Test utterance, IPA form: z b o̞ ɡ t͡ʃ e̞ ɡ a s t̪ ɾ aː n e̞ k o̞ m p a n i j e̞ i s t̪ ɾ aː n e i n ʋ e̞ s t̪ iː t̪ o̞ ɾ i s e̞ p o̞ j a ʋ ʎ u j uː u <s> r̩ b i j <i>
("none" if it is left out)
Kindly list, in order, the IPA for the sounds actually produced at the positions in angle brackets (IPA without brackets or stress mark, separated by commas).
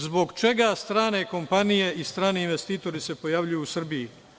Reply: s, i